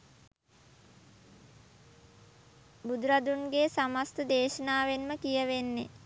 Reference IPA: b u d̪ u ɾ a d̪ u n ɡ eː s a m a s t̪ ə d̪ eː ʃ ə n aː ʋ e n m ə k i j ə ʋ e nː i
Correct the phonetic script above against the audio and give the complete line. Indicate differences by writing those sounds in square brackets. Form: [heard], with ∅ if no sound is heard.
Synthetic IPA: b u d̪ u ɾ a d̪ u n ɡ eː s a m a s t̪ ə d̪ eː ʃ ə n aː ʋ e n m ə k i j ə ʋ e nː [e]